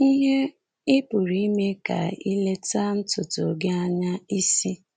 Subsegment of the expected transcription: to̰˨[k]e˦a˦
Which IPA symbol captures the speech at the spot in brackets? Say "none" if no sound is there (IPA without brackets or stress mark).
ɡ